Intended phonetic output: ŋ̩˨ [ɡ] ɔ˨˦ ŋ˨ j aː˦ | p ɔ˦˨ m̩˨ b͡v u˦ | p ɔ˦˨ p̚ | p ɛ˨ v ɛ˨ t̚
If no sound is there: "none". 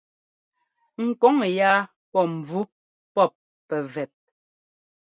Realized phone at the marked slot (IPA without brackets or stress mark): k